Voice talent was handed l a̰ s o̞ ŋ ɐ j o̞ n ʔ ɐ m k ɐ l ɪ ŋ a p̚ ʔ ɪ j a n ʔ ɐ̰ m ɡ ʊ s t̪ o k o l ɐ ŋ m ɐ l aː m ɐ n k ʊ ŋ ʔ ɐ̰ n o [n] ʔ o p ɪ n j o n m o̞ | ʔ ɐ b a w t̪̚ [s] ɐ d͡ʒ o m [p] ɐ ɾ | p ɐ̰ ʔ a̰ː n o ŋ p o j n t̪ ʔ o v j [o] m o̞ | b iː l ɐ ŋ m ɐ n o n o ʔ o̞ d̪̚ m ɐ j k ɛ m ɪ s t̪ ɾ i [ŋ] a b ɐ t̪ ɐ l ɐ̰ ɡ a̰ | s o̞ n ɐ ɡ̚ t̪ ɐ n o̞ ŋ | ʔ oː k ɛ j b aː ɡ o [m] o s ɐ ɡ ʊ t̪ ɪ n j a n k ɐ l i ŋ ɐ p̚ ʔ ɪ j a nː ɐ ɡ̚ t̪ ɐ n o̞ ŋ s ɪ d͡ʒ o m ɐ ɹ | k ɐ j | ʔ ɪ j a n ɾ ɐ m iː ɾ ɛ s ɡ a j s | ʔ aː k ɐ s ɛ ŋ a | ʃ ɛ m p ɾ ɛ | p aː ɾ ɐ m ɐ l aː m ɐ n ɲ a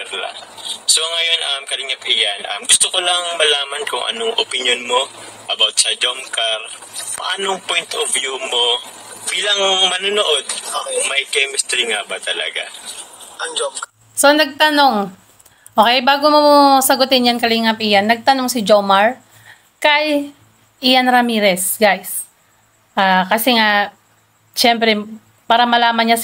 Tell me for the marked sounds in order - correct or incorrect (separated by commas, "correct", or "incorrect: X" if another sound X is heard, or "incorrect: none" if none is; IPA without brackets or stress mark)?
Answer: incorrect: ŋ, correct, incorrect: k, incorrect: u, correct, correct